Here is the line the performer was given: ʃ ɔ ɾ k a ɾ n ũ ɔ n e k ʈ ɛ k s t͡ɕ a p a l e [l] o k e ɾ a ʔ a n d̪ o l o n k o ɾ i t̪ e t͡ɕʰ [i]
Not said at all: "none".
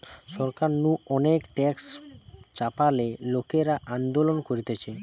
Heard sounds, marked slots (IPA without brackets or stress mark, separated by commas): l, e